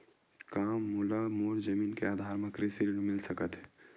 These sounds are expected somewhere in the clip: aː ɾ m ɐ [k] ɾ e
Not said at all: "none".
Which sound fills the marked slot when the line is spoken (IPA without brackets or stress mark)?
k